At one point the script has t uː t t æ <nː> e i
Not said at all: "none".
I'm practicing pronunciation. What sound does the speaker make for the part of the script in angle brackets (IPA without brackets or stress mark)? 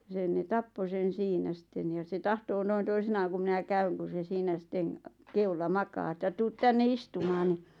nː